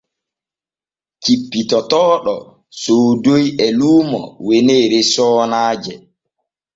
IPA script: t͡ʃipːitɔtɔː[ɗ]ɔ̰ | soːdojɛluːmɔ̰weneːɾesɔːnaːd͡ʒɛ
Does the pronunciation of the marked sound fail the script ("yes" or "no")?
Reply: no